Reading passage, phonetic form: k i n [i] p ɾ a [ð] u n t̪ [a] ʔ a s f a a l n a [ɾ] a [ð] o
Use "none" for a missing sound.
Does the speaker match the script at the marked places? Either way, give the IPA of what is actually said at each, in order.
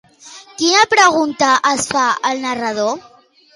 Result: a, ɣ, a, r, ð

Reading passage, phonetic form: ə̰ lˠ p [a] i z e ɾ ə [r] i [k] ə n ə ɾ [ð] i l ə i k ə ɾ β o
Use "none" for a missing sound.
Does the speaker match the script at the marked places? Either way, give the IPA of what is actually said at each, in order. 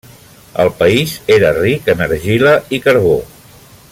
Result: ə, r, k, ʒ

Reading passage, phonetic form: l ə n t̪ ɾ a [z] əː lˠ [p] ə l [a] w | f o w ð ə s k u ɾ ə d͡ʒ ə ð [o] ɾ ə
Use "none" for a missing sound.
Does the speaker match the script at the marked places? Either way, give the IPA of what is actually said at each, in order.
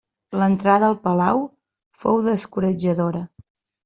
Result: ð, p, a, o

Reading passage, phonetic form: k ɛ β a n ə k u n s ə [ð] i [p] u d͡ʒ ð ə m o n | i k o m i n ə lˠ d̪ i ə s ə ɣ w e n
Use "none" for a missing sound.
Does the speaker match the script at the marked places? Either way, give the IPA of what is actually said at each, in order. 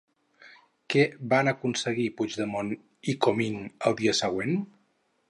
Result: ɣ, p

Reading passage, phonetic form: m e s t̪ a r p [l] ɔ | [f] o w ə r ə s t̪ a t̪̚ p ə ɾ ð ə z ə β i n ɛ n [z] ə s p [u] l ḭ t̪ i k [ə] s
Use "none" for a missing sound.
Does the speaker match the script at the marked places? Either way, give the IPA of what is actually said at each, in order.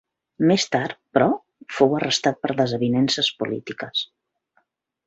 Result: ɾ, f, s, u, ə

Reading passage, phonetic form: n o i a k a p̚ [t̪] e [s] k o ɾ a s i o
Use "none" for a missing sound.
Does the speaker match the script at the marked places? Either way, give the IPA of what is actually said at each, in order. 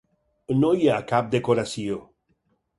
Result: d̪, none

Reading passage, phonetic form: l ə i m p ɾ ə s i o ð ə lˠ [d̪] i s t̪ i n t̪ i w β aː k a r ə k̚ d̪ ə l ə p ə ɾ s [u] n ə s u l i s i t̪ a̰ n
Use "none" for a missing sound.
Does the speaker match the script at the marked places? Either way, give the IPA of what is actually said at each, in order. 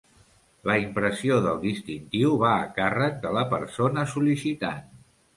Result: d̪, o

